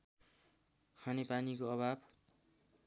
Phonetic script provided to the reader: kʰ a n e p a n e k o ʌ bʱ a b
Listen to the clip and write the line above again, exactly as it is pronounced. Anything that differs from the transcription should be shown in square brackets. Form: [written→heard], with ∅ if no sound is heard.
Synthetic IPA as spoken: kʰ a n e p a n [e→i] k o ʌ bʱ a b